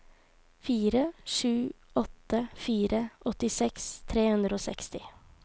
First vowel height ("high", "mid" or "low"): high